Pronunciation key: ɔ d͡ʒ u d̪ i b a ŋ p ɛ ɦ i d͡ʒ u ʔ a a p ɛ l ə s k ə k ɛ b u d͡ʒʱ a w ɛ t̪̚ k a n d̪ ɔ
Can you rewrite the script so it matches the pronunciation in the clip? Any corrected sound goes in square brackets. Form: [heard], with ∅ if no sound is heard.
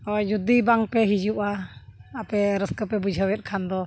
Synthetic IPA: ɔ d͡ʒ u d̪ i b a ŋ p ɛ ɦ i d͡ʒ u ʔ a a p ɛ [ɾ] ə s k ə [p] ɛ b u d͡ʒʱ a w ɛ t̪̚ [kʰ] a n d̪ ɔ